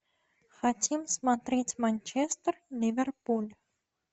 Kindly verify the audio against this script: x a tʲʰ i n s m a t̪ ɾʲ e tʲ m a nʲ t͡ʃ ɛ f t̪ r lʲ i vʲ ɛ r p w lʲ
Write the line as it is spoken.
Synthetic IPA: x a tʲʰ i m s m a t̪ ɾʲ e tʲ m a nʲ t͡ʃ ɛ s t̪ r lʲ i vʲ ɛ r p u lʲ